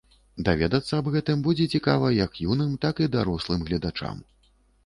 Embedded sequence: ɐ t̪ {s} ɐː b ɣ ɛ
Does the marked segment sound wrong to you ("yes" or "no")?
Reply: yes